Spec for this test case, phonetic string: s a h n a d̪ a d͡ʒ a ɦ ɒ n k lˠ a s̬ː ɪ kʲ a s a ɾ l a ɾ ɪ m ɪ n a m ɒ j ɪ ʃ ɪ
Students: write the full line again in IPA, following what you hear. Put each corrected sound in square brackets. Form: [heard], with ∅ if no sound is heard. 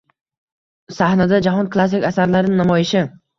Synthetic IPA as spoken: s a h n a d̪ a d͡ʒ a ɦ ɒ n k lˠ a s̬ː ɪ kʲ a s a ɾ l a ɾ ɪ [n] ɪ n a m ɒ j ɪ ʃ ɪ